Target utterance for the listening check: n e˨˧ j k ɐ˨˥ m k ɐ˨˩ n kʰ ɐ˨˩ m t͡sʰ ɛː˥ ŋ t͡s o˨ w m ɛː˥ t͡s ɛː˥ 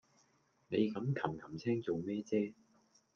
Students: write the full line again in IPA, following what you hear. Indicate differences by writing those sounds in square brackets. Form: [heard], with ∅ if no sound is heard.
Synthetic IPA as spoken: n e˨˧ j k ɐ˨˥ m [kʰ] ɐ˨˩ [m] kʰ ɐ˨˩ m t͡sʰ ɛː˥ ŋ t͡s o˨ w m ɛː˥ t͡s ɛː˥